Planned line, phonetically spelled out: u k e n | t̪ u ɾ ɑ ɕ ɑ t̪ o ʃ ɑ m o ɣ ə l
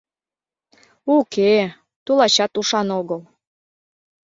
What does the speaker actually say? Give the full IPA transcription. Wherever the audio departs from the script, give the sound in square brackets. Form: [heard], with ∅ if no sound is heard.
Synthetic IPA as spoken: u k e [∅] | t̪ u [l] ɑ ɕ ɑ t̪ [u] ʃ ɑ [n] o ɣ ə l